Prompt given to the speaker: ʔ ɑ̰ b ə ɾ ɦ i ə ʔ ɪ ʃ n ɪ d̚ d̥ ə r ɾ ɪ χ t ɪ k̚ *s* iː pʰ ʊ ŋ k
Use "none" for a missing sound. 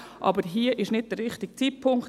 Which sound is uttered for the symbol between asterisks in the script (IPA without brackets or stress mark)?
t͡s